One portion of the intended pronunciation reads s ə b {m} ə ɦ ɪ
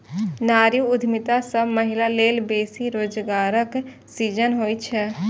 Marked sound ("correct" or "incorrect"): correct